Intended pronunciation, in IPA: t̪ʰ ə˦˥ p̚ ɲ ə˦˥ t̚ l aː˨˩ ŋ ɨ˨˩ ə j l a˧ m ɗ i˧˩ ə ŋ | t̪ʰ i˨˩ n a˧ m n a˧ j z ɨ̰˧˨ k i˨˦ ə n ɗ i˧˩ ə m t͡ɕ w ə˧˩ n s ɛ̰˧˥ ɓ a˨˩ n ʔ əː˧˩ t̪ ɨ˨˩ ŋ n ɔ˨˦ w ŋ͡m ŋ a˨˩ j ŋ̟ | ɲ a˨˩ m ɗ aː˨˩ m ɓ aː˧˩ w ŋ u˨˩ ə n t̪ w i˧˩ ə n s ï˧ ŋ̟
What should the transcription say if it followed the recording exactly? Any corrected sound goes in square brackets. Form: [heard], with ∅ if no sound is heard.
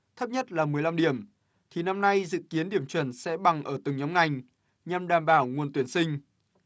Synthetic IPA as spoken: t̪ʰ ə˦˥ p̚ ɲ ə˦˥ t̚ l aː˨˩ [m] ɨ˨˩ ə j l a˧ m ɗ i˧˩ ə [m] | t̪ʰ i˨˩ n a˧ m n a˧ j z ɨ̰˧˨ k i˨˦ ə n ɗ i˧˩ ə m t͡ɕ w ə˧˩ n s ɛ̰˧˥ ɓ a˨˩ [ŋ] ʔ əː˧˩ t̪ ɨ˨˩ ŋ [ɲ] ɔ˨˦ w ŋ͡m ŋ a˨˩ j ŋ̟ | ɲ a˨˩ m ɗ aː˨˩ m ɓ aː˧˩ w ŋ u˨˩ ə n t̪ w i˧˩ ə n s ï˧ ŋ̟